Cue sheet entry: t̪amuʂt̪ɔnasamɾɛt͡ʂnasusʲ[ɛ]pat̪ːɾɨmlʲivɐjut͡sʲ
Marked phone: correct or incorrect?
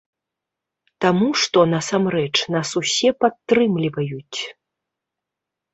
correct